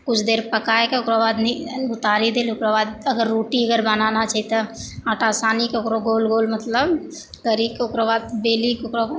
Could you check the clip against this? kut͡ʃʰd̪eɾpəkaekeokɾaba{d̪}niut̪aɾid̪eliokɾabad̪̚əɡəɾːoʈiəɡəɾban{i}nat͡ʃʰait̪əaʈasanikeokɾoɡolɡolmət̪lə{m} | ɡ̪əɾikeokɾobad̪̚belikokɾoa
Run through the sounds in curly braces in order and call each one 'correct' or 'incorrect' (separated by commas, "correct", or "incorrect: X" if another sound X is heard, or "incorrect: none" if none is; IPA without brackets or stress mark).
correct, incorrect: a, incorrect: b